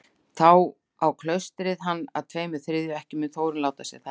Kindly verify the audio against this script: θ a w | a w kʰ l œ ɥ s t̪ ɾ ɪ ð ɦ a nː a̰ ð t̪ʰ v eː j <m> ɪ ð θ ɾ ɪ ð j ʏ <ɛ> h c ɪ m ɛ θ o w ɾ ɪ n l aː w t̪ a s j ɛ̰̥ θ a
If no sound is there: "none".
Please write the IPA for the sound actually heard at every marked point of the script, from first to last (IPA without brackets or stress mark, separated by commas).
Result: m, ɛ